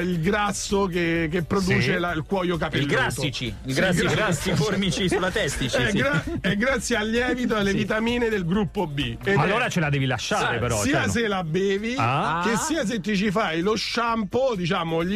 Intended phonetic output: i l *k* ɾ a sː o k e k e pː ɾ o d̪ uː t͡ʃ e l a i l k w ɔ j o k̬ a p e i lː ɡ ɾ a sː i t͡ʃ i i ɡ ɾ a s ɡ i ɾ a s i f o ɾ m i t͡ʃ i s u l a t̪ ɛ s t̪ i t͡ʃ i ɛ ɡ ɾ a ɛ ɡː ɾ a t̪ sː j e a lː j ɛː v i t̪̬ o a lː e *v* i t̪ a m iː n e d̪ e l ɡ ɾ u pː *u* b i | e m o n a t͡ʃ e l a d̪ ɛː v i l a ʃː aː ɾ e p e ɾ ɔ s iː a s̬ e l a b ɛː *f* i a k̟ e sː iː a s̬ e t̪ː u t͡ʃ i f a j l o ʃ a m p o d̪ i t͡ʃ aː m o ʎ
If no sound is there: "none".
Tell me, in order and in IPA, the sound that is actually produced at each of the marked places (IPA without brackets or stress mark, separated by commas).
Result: ɡ, v, o, v